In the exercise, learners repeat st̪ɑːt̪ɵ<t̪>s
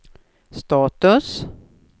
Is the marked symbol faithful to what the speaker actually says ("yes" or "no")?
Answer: no